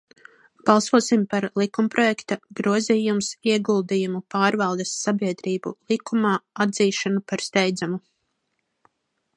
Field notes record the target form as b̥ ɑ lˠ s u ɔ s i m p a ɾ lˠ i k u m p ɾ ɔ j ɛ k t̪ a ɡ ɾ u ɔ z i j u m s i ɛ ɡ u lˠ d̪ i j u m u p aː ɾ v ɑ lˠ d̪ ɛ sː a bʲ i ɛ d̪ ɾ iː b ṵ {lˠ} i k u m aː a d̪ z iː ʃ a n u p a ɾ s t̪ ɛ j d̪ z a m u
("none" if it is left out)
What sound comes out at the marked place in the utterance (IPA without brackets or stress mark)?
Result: lˠ